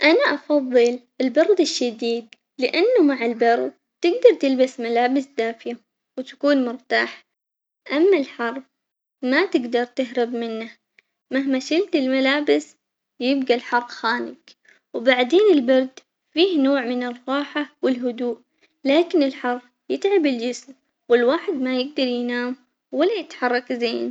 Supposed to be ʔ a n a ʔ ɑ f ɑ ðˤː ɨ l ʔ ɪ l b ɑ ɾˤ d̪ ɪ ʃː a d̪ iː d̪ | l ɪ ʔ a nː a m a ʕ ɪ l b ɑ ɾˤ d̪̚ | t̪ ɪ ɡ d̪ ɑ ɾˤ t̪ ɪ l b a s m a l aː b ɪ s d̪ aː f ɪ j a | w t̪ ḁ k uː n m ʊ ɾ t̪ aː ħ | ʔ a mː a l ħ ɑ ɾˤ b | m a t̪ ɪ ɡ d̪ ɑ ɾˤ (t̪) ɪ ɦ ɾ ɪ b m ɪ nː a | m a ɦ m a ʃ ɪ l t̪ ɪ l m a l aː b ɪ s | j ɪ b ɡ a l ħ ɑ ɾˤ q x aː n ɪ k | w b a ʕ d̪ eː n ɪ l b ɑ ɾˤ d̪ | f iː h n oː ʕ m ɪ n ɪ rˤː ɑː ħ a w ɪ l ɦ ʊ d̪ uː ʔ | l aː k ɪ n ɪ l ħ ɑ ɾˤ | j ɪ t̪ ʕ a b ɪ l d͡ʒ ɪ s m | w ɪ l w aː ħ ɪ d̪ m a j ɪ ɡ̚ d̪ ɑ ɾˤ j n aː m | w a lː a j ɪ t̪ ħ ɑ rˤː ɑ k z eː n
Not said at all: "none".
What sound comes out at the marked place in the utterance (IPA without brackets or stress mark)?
t̪